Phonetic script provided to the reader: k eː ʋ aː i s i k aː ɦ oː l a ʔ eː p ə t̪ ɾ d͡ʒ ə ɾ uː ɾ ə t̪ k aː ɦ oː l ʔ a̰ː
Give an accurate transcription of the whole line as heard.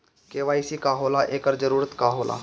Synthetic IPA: k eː ʋ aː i s i k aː ɦ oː l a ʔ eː k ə ɾ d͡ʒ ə ɾ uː ɾ ə t̪ k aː ɦ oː l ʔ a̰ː